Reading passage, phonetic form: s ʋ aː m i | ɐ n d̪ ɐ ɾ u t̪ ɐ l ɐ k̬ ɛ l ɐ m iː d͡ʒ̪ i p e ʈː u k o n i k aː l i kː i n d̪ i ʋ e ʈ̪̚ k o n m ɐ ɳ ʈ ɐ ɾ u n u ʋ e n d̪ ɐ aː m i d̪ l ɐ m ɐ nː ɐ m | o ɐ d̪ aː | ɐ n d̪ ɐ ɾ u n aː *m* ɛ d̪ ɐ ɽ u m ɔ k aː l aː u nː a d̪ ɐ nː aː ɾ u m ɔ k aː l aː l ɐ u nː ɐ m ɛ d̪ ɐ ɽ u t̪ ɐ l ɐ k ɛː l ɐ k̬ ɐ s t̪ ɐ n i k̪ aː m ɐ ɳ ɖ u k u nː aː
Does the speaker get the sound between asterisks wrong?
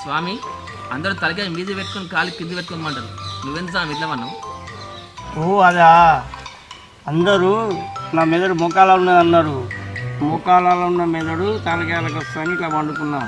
no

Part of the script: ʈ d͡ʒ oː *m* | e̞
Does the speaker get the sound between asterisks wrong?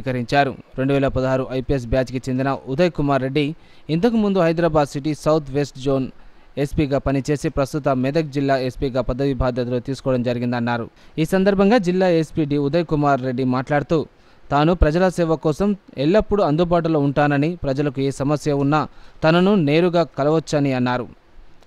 yes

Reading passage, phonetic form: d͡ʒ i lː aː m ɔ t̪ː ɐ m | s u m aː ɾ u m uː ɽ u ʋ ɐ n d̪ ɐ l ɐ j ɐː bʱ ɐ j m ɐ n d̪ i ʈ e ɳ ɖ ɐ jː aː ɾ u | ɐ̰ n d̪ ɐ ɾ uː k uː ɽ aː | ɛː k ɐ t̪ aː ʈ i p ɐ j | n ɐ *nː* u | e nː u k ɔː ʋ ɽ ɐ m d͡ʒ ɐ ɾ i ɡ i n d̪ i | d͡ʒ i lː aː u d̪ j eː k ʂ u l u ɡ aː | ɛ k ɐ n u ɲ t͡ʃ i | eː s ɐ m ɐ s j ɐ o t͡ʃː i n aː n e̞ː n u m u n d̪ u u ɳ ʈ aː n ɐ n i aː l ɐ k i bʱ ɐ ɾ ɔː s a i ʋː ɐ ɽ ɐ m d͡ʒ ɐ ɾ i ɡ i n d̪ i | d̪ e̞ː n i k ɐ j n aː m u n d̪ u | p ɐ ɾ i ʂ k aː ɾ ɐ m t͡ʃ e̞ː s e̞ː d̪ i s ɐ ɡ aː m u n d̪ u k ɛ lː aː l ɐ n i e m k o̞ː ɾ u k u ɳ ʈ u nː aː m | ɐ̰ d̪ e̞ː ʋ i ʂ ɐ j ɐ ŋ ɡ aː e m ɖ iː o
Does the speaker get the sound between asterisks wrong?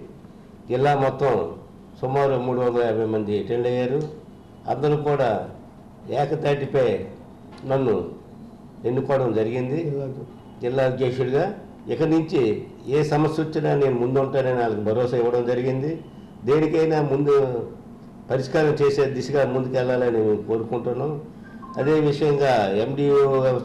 no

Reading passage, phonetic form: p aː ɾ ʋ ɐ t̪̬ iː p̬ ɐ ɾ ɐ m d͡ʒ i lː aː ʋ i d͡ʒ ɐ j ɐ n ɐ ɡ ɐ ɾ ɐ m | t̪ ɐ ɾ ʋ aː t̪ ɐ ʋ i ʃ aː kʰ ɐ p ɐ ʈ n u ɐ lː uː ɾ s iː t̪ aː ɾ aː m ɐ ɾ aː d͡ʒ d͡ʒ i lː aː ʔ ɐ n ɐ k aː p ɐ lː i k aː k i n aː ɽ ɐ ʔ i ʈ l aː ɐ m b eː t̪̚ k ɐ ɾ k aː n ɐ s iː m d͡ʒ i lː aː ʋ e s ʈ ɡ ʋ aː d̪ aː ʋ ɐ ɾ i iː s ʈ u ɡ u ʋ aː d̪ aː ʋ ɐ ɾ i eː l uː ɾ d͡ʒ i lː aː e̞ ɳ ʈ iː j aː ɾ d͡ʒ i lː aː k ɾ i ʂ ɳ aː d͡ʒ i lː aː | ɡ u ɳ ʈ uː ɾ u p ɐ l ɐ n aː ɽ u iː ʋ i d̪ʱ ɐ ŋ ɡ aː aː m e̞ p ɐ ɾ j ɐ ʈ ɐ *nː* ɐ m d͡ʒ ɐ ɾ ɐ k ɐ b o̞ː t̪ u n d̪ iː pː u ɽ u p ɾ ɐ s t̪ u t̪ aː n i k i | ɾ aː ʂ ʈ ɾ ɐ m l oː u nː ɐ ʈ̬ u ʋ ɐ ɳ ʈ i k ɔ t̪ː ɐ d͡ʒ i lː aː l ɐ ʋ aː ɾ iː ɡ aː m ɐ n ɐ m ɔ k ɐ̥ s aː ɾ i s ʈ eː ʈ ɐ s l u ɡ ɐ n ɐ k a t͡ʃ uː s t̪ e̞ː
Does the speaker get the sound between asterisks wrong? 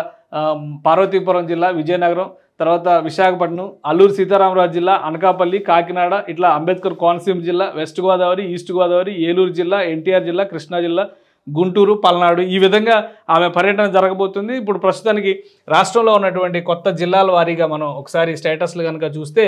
yes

